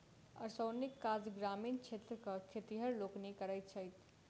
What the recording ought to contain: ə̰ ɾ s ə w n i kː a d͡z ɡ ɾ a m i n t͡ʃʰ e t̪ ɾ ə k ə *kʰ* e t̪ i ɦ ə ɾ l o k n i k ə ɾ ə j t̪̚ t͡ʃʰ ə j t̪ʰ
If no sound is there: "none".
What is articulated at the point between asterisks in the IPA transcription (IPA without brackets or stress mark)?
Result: kʰ